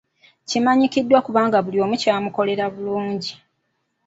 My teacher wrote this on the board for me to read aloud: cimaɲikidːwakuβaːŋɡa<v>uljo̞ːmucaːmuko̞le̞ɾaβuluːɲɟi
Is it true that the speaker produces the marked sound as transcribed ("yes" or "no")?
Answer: no